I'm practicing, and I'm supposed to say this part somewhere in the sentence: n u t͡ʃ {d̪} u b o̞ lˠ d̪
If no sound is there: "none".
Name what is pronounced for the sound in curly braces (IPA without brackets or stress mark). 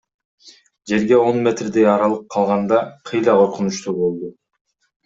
t̪